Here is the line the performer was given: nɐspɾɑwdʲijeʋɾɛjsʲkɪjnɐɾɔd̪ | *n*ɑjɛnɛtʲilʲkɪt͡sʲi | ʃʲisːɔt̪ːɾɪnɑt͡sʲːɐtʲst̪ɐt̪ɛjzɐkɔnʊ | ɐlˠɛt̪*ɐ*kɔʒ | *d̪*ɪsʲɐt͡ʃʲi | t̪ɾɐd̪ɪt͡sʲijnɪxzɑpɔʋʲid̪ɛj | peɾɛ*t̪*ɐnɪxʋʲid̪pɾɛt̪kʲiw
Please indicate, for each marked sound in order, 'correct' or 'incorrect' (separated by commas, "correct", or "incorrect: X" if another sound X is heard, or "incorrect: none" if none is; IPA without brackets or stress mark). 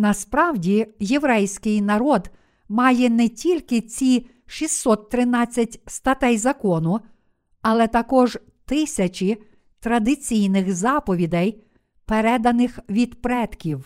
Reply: incorrect: m, correct, incorrect: t̪, incorrect: d̪